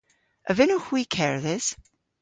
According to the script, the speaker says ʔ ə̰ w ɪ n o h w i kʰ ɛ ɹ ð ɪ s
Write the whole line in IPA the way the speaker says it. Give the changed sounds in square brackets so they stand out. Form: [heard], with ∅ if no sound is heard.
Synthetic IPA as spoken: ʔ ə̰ [v] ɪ n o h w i kʰ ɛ ɹ ð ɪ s